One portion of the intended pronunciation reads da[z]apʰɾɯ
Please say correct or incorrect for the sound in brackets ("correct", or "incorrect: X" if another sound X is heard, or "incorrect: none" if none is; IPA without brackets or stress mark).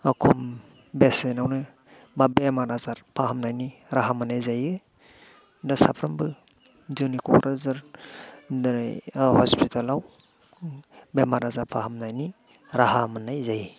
incorrect: s